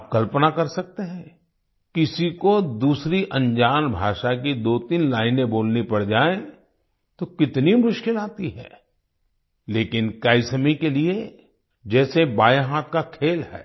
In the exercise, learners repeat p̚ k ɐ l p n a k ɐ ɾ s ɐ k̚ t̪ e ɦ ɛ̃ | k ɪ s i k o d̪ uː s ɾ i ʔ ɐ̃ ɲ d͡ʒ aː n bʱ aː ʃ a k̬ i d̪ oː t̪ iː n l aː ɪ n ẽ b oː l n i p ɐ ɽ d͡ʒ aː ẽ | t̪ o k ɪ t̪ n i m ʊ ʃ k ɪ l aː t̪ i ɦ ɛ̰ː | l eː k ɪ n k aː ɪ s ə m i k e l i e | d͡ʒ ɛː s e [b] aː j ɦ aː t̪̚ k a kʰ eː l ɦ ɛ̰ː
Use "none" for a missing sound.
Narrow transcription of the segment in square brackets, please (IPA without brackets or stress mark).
b